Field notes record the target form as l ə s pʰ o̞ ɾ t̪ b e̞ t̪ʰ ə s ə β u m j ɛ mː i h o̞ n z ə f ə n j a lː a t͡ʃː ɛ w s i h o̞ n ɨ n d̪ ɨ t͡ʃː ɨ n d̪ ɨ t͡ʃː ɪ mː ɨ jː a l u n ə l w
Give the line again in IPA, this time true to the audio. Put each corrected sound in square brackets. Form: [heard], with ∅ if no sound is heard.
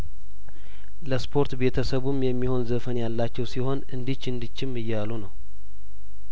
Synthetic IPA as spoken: l ə s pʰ o̞ ɾ t̪ b e̞ t̪ʰ ə s ə β u m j ɛ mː i h o̞ n z ə f ə n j a lː a t͡ʃː ɛ w s i h o̞ n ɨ n d̪ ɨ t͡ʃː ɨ n d̪ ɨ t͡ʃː ɪ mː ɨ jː a l u n ə [∅] w

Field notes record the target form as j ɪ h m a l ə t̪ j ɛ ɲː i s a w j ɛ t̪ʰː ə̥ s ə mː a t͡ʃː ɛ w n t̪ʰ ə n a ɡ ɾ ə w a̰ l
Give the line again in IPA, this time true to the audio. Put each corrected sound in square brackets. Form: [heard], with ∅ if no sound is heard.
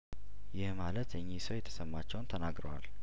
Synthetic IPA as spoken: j ɪ h m a l ə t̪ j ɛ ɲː i s [ə] w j ɛ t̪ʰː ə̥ s ə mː a t͡ʃː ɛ w n t̪ʰ ə n a ɡ ɾ ə w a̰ l

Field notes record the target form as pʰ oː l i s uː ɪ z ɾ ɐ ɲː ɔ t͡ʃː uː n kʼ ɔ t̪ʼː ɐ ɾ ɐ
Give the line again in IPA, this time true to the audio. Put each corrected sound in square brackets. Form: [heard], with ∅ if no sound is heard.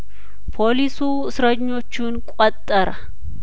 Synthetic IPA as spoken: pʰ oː l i s uː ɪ [s] ɾ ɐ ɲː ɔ t͡ʃː uː n kʼ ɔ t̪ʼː ɐ ɾ ɐ

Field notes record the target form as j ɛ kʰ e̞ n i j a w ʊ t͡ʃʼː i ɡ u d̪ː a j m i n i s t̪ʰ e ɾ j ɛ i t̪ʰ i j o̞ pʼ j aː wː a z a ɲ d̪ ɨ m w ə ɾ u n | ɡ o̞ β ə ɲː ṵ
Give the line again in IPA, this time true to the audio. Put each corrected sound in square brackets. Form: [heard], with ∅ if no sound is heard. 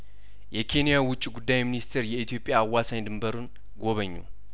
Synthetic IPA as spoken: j ɛ kʰ e̞ n i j a w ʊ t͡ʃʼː i ɡ u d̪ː a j m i n i s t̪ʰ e ɾ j ɛ i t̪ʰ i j o̞ pʼ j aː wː a [s] a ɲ d̪ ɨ m [b] ə ɾ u n | ɡ o̞ β ə ɲː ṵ

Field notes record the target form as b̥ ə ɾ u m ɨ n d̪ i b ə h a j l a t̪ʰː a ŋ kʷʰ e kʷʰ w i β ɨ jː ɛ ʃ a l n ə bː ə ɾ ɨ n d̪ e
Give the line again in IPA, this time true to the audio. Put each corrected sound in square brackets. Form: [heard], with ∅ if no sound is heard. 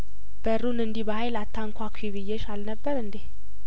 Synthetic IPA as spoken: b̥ ə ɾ u [n] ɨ n d̪ i b ə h a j l a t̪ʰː a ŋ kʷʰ [a] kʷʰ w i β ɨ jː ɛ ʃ a l n ə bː ə ɾ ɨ n d̪ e

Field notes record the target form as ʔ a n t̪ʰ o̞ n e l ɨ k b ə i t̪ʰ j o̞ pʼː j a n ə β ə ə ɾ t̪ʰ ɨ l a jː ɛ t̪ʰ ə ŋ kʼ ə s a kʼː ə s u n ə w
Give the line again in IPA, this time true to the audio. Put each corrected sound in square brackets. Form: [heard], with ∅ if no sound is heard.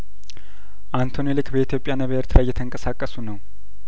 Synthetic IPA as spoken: ʔ a n t̪ʰ o̞ n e l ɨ k b ə i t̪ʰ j o̞ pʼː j a n ə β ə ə ɾ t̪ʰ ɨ l a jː ɛ t̪ʰ ə ŋ kʼ ə s a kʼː ə s u n ə w

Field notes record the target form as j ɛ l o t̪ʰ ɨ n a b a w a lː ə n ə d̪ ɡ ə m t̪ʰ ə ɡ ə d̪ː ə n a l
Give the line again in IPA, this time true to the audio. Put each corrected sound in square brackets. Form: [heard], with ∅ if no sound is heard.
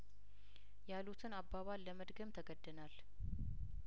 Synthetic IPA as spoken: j [a] l [u] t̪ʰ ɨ n a b a [β] a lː ə [m] ə d̪ ɡ ə m t̪ʰ ə ɡ ə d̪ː ə n a l

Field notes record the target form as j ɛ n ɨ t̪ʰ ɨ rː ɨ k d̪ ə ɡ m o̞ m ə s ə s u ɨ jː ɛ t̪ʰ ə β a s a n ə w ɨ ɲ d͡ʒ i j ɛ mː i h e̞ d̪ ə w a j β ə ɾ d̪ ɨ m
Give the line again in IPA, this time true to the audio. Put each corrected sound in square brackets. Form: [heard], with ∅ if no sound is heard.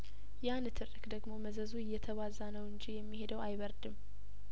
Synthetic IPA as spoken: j [a] n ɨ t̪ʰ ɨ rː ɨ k d̪ ə ɡ m o̞ m ə [z] ə [z] u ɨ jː ɛ t̪ʰ ə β a [z] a n ə w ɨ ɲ d͡ʒ i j ɛ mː i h e̞ d̪ ə w a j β ə ɾ d̪ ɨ m

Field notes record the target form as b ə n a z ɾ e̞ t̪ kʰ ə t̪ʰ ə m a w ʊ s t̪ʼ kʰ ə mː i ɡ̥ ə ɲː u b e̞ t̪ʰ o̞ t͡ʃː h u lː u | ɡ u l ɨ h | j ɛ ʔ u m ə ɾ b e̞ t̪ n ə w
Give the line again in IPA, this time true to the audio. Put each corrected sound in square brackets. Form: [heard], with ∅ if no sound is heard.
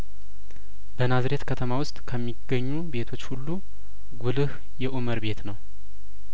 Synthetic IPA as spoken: b ə n a z ɾ e̞ t̪ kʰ ə t̪ʰ ə m a w ʊ s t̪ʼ kʰ ə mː i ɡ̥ ə ɲː u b e̞ t̪ʰ o̞ t͡ʃː h u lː u | ɡ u l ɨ h | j ɛ ʔ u m ə ɾ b e̞ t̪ n ə w

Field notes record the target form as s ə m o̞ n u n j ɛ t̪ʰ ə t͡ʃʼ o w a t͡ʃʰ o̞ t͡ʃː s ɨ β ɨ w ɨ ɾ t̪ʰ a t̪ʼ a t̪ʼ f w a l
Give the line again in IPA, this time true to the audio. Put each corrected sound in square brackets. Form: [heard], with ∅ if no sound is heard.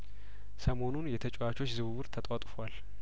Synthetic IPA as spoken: s ə m o̞ n u n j ɛ t̪ʰ ə t͡ʃʼ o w a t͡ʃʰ o̞ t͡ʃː [z] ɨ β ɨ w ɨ ɾ t̪ʰ [ə] t̪ʼ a t̪ʼ f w a l

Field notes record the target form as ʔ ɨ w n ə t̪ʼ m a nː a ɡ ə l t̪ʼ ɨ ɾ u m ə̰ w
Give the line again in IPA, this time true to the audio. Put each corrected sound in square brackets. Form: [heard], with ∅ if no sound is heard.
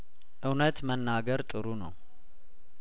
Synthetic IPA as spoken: ʔ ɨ w n ə [t̪] m [ə] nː a ɡ ə [ɾ] t̪ʼ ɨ ɾ u [n] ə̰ w

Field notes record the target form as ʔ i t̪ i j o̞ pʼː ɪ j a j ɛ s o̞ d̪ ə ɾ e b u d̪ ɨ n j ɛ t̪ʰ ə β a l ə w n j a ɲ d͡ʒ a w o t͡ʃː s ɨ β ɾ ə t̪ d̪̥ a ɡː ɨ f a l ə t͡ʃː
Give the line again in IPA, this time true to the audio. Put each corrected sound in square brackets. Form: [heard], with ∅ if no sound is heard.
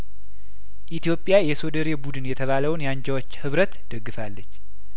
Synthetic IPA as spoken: ʔ i t̪ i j o̞ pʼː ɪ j a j ɛ s o̞ d̪ ə ɾ e b u d̪ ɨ n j ɛ t̪ʰ ə β a l ə w n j a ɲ d͡ʒ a w o t͡ʃː [h] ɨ β ɾ ə t̪ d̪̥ [ə] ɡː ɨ f a [lː] ə t͡ʃː

